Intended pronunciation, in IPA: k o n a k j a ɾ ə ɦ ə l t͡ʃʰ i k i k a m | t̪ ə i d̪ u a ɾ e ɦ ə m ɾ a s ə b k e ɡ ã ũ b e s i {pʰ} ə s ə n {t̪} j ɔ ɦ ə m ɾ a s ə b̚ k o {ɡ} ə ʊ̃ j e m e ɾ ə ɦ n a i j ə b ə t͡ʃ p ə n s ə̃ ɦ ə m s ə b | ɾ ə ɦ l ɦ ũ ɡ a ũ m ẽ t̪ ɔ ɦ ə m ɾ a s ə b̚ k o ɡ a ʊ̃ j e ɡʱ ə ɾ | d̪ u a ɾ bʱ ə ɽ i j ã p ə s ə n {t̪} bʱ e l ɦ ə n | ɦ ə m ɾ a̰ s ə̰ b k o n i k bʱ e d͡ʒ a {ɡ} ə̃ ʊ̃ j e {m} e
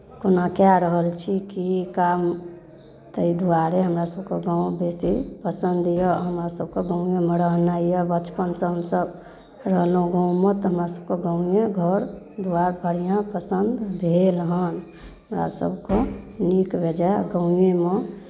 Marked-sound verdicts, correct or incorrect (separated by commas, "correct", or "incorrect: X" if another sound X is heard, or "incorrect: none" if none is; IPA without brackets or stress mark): incorrect: p, incorrect: d̪, correct, incorrect: d̪, correct, correct